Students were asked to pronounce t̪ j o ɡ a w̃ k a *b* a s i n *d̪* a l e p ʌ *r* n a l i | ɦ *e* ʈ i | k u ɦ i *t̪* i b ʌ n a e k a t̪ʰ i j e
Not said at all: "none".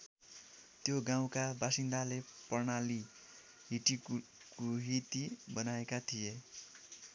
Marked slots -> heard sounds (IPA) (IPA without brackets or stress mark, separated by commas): b, d̪, r, i, t̪